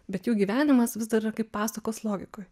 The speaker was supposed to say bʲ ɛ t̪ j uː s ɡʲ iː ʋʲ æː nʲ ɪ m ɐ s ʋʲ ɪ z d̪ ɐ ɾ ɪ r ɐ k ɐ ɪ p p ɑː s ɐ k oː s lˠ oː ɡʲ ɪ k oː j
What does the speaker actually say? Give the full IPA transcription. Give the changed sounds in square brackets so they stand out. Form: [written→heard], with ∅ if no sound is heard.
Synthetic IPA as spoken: bʲ ɛ t̪ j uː [s→∅] ɡʲ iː ʋʲ æː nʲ ɪ m ɐ s ʋʲ ɪ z d̪ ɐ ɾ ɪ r ɐ k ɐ ɪ p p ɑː s ɐ k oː s lˠ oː ɡʲ ɪ k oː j

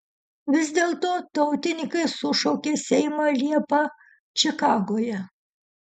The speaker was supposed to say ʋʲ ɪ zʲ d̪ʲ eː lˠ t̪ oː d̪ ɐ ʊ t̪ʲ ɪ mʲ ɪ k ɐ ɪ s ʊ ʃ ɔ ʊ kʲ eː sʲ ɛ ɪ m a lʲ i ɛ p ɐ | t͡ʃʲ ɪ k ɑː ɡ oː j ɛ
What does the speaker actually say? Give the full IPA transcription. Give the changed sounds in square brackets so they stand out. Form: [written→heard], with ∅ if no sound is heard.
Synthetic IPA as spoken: ʋʲ ɪ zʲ d̪ʲ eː lˠ t̪ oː [d̪→t̪] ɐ ʊ t̪ʲ ɪ [mʲ→nʲ] ɪ k ɐ ɪ s ʊ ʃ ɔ ʊ kʲ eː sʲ ɛ ɪ m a lʲ i ɛ p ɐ | t͡ʃʲ ɪ k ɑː ɡ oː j ɛ

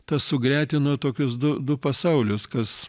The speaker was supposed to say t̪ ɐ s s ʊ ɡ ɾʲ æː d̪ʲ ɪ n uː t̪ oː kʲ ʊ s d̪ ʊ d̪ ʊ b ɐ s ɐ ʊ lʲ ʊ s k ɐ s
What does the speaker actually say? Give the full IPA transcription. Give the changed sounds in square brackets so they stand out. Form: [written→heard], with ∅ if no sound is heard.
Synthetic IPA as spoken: t̪ ɐ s s ʊ ɡ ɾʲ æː [d̪ʲ→t̪ʲ] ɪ n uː t̪ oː kʲ ʊ s d̪ ʊ d̪ ʊ [b→p] ɐ s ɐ ʊ lʲ ʊ s k ɐ s

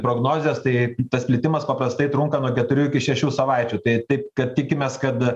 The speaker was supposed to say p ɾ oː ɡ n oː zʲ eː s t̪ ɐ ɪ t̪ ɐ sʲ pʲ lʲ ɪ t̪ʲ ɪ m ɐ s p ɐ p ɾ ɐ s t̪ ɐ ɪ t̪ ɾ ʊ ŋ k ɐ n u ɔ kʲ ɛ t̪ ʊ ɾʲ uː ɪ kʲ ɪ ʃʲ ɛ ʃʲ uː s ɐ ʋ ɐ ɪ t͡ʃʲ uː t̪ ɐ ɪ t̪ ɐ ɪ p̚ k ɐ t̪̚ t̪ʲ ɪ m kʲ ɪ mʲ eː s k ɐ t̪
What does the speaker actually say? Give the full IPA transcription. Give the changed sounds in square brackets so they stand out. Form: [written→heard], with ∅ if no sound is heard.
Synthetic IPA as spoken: p ɾ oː ɡ n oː zʲ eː s t̪ ɐ ɪ t̪ ɐ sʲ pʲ lʲ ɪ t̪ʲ ɪ m ɐ s p ɐ p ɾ ɐ s t̪ ɐ ɪ t̪ ɾ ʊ ŋ k ɐ n u ɔ kʲ ɛ t̪ ʊ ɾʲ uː ɪ kʲ ɪ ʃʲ ɛ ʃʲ uː s ɐ ʋ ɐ ɪ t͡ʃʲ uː t̪ ɐ ɪ t̪ ɐ ɪ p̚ k ɐ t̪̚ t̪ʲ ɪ [m→∅] kʲ ɪ mʲ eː s k ɐ t̪

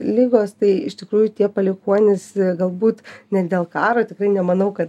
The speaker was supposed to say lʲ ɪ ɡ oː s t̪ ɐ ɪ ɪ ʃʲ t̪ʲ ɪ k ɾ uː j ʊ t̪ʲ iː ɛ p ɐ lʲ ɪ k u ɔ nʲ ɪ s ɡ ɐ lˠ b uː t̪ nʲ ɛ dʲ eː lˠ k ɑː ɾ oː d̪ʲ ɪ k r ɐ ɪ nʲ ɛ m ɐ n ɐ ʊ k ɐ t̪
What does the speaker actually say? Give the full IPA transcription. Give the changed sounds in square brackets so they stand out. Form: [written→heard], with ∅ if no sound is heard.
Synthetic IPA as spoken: lʲ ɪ ɡ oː s t̪ ɐ ɪ ɪ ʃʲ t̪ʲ ɪ k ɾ uː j ʊ t̪ʲ [iː→i] ɛ p ɐ lʲ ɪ k u ɔ nʲ ɪ s ɡ ɐ lˠ b uː t̪ nʲ ɛ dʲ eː lˠ k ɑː ɾ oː [d̪ʲ→t̪ʲ] ɪ k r ɐ ɪ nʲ ɛ m ɐ n ɐ ʊ k ɐ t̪

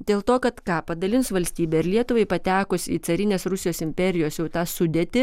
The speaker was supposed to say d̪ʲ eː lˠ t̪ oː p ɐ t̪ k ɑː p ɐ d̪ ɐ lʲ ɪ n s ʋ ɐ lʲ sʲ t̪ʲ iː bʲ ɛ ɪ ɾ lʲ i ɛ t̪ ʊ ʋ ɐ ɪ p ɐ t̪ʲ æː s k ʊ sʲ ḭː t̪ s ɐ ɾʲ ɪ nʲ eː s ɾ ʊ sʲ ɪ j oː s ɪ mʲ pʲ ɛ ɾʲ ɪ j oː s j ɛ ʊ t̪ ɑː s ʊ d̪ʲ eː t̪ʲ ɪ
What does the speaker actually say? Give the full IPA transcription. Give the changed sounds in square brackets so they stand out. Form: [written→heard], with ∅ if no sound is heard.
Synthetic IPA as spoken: d̪ʲ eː lˠ t̪ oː [p→k] ɐ t̪ k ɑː p ɐ d̪ ɐ lʲ ɪ n s ʋ ɐ lʲ sʲ t̪ʲ iː bʲ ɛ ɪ ɾ lʲ i ɛ t̪ ʊ ʋ ɐ ɪ p ɐ t̪ʲ æː [s→∅] k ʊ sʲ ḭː t̪ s ɐ ɾʲ ɪ nʲ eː s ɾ ʊ sʲ ɪ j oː s ɪ mʲ pʲ ɛ ɾʲ ɪ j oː s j ɛ ʊ t̪ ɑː s ʊ d̪ʲ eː t̪ʲ ɪ

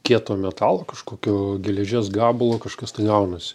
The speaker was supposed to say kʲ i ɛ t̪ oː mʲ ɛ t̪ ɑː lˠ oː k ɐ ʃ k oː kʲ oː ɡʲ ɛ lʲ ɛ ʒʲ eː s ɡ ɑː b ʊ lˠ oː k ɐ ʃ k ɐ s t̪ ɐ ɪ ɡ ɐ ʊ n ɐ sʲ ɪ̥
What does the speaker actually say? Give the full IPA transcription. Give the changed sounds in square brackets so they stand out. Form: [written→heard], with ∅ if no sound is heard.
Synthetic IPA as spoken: kʲ i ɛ t̪ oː mʲ ɛ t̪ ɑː lˠ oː k ɐ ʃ k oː kʲ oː ɡʲ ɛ lʲ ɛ ʒʲ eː s ɡ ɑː b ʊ lˠ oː k ɐ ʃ k ɐ s t̪ ɐ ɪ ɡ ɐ ʊ n ɐ sʲ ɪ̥

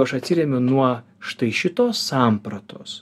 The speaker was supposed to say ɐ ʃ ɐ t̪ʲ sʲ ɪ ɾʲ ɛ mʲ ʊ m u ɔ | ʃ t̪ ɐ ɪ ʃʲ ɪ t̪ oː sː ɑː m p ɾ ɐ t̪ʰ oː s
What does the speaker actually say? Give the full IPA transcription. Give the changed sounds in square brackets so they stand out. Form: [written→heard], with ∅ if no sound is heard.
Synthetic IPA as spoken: ɐ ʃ ɐ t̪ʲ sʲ ɪ ɾʲ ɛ mʲ ʊ [m→n] u ɔ | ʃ t̪ ɐ ɪ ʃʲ ɪ t̪ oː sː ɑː m p ɾ ɐ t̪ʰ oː s

